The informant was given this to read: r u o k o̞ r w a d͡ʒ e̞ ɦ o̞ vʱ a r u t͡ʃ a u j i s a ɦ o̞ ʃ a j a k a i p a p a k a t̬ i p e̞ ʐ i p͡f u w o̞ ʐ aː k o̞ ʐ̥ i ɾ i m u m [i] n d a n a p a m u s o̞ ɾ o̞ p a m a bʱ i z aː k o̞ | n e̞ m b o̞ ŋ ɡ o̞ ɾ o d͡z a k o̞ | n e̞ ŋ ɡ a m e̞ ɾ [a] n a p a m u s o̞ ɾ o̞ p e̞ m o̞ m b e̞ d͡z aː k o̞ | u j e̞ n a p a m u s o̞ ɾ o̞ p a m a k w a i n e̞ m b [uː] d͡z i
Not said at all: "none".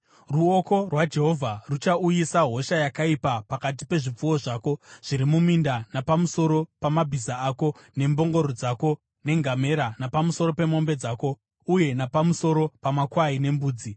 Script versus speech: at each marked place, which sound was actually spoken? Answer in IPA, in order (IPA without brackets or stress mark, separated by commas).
i, a, uː